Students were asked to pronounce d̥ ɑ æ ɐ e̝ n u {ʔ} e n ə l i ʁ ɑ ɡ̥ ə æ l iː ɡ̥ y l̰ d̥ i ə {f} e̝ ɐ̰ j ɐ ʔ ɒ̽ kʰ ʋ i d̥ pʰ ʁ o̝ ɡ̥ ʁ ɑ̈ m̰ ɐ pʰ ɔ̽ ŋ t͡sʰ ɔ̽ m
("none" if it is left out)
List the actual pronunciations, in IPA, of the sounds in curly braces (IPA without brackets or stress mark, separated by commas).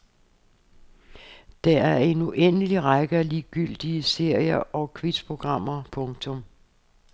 ʔ, s